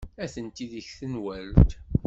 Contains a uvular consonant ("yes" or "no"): no